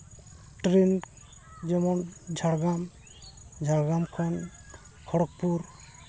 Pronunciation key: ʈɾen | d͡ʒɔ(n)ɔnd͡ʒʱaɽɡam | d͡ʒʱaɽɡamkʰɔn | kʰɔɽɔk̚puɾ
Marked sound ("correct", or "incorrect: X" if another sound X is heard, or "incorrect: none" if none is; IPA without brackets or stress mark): incorrect: m